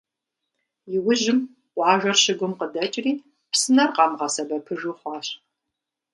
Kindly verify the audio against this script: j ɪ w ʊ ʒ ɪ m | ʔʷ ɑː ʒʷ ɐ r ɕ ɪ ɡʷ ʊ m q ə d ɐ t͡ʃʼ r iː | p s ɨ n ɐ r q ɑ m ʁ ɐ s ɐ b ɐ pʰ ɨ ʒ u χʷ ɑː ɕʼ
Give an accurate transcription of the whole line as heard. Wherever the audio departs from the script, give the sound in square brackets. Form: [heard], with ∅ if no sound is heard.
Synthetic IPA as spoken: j ɪ w ʊ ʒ ɪ m | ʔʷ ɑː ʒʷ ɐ r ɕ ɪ ɡʷ ʊ m q ə d ɐ t͡ʃʼ r iː | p s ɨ n ɐ r q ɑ m ʁ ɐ s ɐ b ɐ pʰ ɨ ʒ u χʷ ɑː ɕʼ